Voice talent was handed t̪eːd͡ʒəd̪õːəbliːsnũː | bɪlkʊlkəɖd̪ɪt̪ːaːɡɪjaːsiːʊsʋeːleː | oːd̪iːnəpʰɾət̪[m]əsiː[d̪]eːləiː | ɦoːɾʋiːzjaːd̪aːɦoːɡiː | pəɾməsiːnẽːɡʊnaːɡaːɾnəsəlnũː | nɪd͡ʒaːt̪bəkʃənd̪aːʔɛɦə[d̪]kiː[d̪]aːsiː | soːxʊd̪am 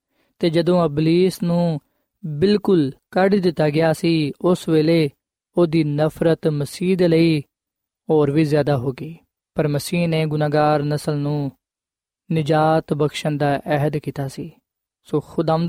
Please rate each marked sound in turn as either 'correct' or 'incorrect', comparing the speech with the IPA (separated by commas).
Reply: correct, correct, correct, incorrect